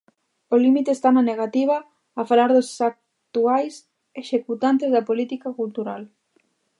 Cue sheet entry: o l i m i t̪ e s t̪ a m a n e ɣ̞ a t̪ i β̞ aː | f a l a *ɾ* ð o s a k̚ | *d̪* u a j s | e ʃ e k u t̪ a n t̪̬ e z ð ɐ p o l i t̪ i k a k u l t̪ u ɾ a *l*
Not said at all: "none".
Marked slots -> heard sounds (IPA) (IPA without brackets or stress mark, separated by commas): ɾ, t̪, l